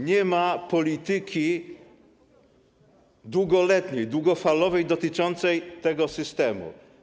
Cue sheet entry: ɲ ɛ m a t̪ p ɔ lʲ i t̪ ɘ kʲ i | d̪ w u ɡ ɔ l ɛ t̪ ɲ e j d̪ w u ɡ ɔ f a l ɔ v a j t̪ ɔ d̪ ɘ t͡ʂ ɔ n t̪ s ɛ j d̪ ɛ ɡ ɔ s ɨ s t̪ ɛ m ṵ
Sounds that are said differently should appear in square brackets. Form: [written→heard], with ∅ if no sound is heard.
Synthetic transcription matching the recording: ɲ ɛ m a [t̪→∅] p ɔ lʲ i t̪ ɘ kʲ i | d̪ w u ɡ ɔ l ɛ t̪ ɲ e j d̪ w u ɡ ɔ f a l ɔ v [a→ɛ] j [t̪→d̪] ɔ [d̪→t̪] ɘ t͡ʂ ɔ n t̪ s ɛ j [d̪→t̪] ɛ ɡ ɔ s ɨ s t̪ ɛ m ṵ